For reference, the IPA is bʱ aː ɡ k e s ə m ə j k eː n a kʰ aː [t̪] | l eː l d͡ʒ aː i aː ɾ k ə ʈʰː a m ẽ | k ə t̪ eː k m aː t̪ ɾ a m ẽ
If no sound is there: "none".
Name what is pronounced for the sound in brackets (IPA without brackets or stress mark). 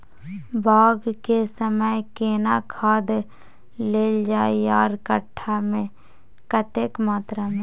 d̪